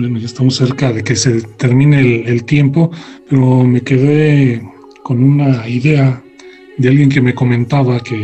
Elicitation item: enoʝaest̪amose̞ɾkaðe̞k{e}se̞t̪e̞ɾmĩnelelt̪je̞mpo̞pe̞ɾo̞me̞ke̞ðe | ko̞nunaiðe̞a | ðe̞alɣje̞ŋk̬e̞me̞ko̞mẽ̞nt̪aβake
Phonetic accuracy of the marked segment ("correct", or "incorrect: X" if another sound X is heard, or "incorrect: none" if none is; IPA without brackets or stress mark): correct